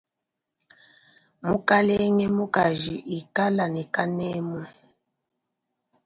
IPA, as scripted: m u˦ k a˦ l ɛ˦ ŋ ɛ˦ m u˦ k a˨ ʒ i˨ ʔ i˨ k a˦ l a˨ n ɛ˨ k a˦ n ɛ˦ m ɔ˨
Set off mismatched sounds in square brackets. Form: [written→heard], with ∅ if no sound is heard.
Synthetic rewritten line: m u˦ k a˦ l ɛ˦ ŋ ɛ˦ m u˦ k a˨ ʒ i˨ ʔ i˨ k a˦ l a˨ n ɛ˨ k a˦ n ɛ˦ m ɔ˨